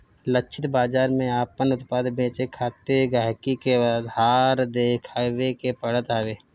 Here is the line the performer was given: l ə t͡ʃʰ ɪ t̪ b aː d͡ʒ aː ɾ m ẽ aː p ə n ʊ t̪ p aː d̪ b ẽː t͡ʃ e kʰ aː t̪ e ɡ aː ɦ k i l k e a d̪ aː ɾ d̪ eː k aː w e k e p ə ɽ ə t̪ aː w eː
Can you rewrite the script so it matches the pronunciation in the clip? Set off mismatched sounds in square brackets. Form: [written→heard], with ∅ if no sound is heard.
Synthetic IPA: l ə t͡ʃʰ ɪ t̪ b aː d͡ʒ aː ɾ m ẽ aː p ə n ʊ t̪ p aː d̪ b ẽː t͡ʃ e kʰ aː t̪ e ɡ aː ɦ k i [l→∅] k e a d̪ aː ɾ d̪ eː [k→kʰ] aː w e k e p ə ɽ ə t̪ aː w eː